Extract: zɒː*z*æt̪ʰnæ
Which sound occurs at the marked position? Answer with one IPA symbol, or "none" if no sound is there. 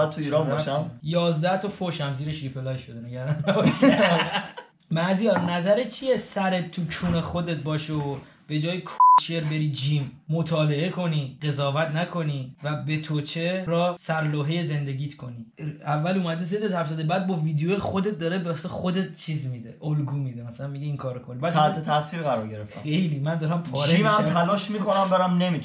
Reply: v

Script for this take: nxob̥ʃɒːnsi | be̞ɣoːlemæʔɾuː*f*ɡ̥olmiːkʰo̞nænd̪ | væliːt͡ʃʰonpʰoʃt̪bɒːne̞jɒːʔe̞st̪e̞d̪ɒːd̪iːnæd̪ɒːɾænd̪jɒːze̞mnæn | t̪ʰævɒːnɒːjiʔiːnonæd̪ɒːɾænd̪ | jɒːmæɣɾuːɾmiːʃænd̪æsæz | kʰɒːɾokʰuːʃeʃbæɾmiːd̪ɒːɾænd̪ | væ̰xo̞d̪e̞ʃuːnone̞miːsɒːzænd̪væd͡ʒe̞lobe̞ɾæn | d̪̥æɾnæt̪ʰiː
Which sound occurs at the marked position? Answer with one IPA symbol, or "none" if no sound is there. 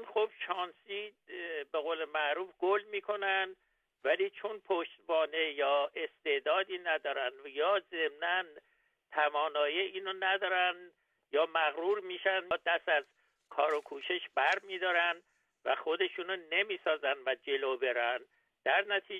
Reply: f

